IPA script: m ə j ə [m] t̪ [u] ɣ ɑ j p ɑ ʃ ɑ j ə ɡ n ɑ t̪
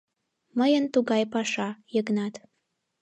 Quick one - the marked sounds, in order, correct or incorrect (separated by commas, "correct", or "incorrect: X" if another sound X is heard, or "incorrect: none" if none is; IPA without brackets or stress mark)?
incorrect: n, correct